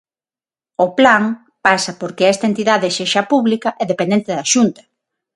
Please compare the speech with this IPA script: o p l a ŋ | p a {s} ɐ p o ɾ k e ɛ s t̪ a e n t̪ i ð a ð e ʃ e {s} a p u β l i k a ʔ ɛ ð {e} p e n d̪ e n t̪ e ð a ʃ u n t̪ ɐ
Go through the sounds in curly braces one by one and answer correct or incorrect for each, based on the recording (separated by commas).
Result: correct, incorrect, correct